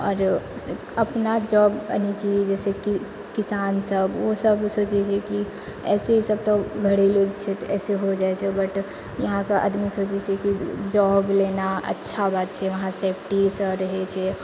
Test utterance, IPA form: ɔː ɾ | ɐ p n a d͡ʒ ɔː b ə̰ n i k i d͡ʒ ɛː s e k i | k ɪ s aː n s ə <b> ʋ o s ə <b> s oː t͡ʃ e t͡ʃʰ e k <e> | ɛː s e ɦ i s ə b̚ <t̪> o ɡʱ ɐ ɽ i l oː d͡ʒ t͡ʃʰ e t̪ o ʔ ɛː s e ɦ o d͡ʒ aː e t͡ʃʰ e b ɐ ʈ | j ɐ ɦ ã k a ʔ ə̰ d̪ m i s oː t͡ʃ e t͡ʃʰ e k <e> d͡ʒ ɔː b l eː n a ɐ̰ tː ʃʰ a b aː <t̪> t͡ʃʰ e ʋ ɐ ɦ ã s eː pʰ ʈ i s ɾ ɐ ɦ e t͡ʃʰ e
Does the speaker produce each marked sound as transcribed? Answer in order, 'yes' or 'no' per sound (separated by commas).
yes, yes, no, yes, no, yes